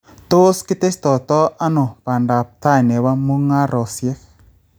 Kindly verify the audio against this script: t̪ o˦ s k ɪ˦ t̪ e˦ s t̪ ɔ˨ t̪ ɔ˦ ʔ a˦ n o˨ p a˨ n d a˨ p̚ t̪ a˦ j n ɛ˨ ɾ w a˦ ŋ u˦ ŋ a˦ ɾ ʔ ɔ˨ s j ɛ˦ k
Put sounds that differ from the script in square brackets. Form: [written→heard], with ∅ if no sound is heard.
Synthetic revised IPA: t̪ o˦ s k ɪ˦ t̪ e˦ s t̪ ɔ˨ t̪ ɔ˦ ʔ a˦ n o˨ p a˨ n d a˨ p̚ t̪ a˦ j n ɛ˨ [ɾ→∅] w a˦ [ŋ→m] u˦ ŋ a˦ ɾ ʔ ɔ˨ s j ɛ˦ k